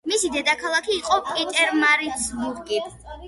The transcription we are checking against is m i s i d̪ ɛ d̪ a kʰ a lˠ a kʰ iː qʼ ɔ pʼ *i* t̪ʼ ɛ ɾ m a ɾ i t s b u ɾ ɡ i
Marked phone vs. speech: correct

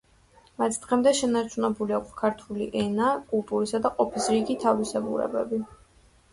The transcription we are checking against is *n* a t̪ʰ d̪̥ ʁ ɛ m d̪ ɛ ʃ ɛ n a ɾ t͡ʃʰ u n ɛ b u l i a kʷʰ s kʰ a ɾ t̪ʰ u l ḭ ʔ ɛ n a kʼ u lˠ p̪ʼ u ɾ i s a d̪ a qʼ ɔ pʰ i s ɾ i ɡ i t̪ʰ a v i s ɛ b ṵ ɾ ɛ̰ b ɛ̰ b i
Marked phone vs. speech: incorrect: m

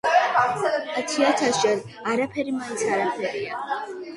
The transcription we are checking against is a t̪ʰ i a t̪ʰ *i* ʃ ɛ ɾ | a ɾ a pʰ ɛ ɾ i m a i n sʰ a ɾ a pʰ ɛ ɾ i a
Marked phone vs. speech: incorrect: a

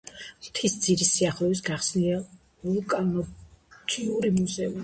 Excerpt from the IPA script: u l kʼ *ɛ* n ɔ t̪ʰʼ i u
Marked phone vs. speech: incorrect: a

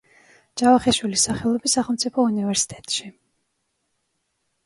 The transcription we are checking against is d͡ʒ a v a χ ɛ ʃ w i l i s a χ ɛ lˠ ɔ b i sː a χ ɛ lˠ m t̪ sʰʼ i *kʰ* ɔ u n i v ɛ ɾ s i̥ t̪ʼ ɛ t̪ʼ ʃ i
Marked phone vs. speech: incorrect: pʰ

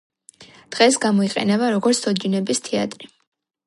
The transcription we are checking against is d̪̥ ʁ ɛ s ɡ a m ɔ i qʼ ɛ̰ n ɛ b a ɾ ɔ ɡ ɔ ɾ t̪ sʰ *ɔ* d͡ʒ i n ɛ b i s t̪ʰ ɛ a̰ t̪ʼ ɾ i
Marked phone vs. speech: correct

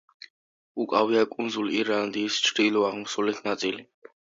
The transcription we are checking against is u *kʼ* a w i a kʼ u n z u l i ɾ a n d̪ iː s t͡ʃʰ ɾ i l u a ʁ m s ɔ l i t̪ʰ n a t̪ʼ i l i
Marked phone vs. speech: correct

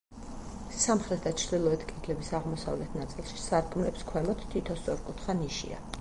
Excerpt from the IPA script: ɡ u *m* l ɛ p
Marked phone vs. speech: correct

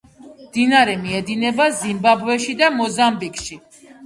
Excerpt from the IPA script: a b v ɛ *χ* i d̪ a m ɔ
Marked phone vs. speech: incorrect: ʃ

